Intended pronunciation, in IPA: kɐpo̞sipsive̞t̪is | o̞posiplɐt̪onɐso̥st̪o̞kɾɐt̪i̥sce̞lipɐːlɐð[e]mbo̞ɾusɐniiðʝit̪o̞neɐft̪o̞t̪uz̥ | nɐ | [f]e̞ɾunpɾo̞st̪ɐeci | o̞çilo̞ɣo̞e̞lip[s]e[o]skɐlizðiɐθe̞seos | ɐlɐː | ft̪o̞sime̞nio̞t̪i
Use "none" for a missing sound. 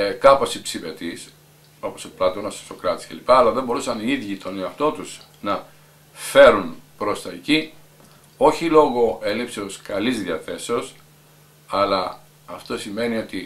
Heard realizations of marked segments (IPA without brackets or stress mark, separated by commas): e, f, s, o